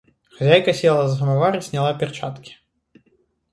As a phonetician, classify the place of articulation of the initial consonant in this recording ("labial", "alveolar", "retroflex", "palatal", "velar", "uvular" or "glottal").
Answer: velar